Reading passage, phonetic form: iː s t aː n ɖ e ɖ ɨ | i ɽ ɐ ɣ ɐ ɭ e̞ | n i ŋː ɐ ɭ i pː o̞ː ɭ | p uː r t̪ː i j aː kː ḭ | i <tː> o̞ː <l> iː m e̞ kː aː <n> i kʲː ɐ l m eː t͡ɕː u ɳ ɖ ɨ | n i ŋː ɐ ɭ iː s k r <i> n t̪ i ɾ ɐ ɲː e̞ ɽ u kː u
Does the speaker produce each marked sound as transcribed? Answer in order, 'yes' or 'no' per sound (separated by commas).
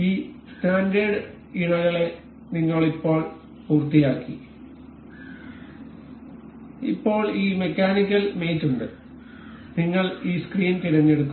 no, no, yes, no